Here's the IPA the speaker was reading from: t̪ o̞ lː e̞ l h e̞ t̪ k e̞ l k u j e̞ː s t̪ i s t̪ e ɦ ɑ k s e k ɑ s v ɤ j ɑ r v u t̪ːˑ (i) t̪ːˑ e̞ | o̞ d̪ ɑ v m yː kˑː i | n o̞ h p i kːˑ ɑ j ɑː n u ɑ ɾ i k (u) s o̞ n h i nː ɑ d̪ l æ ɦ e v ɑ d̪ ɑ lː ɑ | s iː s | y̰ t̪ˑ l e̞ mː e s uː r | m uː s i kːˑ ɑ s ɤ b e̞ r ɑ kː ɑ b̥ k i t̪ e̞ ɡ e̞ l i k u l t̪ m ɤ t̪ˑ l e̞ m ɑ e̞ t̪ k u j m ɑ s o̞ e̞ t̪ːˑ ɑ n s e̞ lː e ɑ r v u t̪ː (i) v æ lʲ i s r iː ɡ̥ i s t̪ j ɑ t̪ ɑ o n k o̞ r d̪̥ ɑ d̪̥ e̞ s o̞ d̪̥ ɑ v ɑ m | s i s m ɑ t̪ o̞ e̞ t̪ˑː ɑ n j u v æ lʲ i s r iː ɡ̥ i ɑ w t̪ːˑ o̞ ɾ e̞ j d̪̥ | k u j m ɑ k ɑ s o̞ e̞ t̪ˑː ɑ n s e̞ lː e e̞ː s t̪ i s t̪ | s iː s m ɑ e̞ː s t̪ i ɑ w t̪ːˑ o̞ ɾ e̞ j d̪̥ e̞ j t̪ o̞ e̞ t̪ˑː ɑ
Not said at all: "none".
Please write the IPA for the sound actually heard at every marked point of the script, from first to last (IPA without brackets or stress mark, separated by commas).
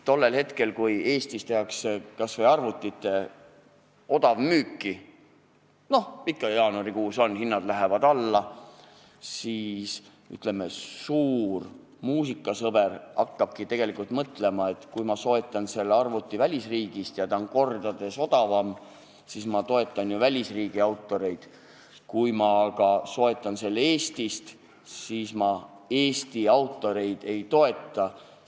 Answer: i, uː, i